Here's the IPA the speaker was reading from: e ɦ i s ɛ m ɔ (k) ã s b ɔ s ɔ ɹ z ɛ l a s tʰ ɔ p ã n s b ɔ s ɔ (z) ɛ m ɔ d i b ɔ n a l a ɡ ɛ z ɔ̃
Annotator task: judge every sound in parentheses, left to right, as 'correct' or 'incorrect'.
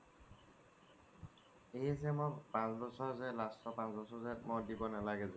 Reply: incorrect: p, correct

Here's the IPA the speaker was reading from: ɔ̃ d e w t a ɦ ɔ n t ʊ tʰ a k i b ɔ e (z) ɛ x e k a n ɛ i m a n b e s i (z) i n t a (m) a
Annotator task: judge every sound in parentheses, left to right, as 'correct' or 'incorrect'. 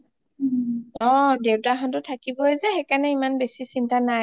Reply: correct, incorrect: s, incorrect: n

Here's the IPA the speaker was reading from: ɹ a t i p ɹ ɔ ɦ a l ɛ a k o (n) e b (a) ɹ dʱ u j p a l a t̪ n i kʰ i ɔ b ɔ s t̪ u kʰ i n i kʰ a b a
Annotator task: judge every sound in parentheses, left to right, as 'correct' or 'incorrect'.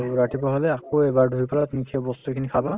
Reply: incorrect: none, correct

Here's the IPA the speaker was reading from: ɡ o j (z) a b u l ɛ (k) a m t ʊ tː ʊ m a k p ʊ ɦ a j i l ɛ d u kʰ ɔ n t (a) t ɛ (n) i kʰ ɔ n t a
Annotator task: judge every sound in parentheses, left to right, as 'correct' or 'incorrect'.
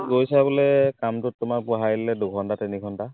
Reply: incorrect: s, correct, correct, correct

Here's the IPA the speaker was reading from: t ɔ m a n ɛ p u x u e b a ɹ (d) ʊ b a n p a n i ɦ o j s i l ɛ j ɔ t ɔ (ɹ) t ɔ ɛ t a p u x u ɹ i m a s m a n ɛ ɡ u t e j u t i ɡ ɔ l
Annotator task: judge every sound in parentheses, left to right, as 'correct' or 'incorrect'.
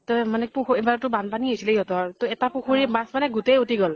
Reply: incorrect: t, correct

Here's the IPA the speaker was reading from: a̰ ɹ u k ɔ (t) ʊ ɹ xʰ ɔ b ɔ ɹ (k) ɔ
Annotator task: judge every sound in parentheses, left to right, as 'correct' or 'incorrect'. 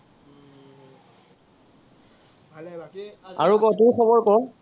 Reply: correct, correct

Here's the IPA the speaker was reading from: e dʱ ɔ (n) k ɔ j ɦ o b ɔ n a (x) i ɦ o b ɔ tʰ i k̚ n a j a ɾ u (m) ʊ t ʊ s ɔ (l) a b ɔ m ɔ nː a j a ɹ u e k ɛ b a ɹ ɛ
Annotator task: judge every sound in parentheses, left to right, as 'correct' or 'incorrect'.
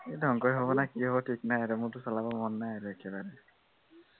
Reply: incorrect: ŋ, incorrect: k, correct, correct

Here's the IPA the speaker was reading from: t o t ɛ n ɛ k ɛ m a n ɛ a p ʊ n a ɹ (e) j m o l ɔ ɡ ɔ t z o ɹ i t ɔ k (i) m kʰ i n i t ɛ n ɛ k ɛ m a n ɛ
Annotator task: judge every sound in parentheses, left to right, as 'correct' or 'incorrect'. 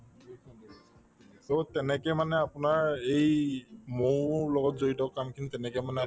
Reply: correct, incorrect: a

